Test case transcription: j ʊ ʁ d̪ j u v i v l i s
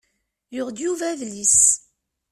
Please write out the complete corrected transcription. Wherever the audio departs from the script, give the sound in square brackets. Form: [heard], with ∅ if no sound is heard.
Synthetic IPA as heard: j ʊ ʁ d̪ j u v [æ] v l i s